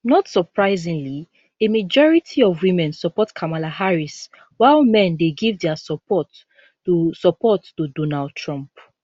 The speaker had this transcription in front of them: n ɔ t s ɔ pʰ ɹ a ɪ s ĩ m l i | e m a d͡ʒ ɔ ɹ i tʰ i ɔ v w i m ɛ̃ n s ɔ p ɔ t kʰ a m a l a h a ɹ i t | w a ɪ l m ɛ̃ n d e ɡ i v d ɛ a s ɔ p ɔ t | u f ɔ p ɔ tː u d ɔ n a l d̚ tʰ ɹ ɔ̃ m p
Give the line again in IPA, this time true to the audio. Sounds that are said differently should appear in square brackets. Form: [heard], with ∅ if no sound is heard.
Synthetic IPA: n ɔ t s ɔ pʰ ɹ a ɪ [z] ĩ [ŋ] l i | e m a d͡ʒ ɔ ɹ i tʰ i ɔ v w i m ɛ̃ n s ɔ p ɔ t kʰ a m a l a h a ɹ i [s] | w a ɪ l m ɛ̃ n d e ɡ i v d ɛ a s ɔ p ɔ t | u [s] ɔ p ɔ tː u d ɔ n a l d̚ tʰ ɹ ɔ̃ m p